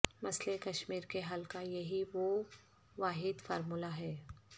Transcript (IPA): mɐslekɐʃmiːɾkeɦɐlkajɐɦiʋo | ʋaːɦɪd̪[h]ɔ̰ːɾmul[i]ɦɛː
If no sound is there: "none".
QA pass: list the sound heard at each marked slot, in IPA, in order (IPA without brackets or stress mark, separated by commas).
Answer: f, a